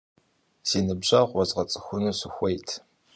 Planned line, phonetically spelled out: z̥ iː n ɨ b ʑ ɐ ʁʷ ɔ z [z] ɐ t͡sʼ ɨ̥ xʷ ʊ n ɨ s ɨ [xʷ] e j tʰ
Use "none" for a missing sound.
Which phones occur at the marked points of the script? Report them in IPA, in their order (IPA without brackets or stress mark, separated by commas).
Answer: ʁ, xʷ